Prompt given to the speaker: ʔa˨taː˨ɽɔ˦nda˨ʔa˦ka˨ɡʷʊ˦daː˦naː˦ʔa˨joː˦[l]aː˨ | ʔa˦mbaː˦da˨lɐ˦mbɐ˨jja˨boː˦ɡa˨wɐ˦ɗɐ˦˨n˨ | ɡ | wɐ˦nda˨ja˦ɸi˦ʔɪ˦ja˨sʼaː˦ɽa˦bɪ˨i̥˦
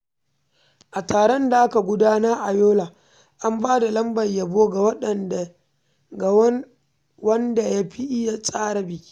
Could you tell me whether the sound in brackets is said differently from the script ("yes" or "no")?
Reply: no